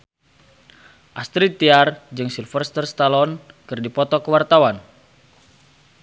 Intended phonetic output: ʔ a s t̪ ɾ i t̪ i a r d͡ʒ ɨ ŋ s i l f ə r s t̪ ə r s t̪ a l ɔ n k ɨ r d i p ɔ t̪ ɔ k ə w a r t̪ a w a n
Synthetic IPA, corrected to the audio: ʔ a s t̪ ɾ i t̪ i a r d͡ʒ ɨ ŋ s i l f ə r s t̪ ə r s t̪ a l ɔ n k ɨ r d i p ɔ t̪ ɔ k ə w a r t̪ a w a n